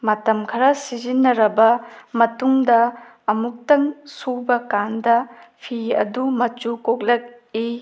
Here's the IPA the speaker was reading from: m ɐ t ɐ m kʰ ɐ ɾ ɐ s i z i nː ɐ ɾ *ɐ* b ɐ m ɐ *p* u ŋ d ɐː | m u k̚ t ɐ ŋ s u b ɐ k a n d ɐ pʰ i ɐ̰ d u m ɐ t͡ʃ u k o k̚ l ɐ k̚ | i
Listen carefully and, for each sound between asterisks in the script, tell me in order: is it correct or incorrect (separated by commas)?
correct, incorrect